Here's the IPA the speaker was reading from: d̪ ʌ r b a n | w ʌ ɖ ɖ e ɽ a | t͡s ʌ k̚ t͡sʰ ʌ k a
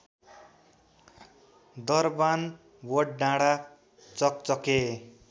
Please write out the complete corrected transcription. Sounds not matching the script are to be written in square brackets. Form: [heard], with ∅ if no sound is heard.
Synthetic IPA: d̪ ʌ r b a n | w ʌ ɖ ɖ [a] ɽ a | t͡s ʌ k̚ [t͡s] ʌ k [e]